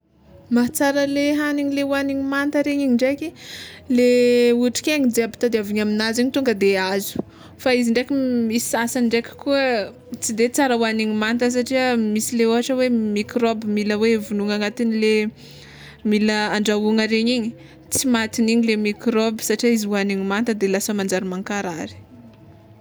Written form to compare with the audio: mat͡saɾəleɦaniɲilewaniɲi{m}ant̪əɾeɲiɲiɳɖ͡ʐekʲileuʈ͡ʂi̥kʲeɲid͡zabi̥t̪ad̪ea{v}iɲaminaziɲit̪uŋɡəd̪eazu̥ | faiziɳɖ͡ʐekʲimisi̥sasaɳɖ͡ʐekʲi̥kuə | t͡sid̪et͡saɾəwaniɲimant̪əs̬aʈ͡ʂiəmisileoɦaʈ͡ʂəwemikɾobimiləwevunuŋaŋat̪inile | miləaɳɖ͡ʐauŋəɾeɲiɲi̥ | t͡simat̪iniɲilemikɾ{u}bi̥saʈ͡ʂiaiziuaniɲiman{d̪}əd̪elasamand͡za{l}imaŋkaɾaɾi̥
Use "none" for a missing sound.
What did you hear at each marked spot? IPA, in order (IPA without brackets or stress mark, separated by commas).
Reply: m, v, o, t̪, ɾ